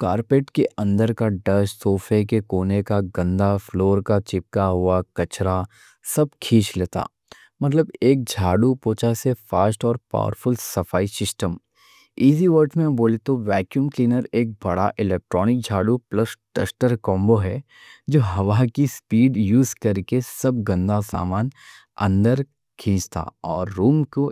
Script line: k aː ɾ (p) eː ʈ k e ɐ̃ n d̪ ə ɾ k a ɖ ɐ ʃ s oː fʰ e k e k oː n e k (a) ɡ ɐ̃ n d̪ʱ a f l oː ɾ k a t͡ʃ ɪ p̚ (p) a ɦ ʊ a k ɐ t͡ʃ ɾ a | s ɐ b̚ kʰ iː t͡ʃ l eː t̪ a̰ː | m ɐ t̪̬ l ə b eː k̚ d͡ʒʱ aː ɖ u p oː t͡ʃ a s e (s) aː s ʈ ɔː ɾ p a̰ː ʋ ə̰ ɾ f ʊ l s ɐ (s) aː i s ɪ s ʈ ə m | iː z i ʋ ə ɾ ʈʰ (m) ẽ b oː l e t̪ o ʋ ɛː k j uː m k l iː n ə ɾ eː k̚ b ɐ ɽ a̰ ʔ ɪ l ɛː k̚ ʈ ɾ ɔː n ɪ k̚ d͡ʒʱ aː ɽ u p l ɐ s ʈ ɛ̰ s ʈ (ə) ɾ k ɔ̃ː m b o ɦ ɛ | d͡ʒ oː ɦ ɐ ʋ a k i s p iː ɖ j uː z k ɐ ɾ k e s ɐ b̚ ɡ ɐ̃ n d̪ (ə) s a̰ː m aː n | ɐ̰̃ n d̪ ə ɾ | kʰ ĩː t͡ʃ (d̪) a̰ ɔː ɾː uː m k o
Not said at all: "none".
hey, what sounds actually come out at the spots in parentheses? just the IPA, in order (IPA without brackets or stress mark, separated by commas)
p, a, k, f, f, m, ə, a, t̪